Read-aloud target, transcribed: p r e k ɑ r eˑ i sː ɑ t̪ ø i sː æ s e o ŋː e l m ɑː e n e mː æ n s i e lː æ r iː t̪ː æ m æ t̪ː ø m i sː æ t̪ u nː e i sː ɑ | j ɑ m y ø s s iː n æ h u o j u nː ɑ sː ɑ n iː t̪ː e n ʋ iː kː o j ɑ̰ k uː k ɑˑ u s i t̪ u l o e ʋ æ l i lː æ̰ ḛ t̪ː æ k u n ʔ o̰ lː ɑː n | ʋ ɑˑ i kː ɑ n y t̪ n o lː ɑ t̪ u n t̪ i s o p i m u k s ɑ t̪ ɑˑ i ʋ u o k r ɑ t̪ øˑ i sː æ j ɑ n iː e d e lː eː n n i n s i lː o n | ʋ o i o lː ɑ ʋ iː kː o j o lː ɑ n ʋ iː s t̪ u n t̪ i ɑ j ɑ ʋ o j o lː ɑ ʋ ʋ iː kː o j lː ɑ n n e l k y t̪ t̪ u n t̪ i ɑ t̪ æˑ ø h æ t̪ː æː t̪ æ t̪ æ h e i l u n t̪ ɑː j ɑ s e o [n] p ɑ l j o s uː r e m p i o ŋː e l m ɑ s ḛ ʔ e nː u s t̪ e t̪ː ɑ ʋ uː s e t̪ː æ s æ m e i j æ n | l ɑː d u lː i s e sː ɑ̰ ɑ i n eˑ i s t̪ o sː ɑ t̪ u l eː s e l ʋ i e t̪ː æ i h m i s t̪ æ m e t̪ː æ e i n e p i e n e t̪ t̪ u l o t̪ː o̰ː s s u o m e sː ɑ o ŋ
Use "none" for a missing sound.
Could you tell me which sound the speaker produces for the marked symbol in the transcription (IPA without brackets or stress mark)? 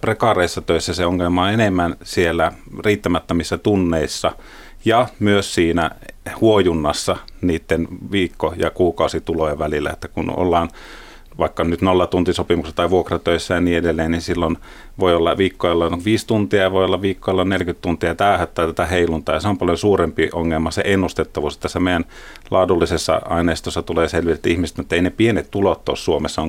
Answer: m